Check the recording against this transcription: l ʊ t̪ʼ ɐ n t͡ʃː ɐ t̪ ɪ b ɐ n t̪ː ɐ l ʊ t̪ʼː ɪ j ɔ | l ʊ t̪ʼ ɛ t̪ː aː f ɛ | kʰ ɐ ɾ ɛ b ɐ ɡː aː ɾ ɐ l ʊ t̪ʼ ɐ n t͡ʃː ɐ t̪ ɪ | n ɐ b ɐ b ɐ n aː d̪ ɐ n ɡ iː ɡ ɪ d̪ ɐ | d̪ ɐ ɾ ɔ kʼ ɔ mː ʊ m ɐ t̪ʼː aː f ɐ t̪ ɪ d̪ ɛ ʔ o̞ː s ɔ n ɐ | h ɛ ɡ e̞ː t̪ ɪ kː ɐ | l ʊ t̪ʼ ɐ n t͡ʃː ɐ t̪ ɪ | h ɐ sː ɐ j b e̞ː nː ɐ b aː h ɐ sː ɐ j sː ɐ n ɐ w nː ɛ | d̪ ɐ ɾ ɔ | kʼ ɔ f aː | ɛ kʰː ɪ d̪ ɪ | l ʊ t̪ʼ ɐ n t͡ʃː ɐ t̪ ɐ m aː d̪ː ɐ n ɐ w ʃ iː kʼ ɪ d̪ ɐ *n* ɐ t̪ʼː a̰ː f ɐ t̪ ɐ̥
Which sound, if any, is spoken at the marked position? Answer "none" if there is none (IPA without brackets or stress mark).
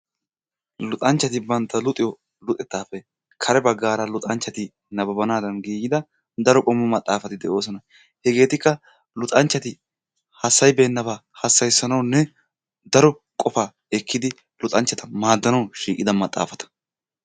m